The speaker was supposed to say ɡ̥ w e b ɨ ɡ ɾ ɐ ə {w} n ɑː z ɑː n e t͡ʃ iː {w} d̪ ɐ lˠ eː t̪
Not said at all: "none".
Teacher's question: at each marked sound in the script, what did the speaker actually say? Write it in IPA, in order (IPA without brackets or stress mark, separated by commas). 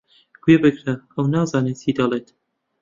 w, none